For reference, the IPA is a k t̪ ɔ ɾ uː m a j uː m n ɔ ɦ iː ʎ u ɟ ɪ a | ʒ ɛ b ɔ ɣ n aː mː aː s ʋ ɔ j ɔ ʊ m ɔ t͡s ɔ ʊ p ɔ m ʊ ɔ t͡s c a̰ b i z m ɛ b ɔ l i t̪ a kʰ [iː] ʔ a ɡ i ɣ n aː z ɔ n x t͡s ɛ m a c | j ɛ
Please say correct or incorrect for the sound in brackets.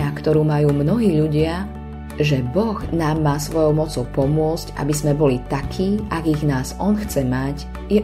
correct